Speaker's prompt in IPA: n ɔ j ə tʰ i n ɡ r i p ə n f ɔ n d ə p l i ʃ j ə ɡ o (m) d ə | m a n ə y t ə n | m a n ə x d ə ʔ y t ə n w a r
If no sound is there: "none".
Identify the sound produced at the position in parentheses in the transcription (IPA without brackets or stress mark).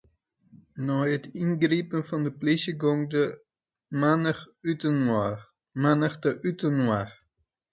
ŋ